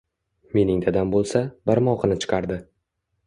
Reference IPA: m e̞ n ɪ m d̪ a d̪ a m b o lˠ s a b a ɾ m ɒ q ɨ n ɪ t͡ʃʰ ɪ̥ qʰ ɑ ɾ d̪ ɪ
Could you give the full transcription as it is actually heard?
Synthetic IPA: m e̞ n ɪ ŋ d̪ a d̪ a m b o lˠ s a b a ɾ m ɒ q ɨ n ɪ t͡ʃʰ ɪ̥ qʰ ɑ ɾ d̪ ɪ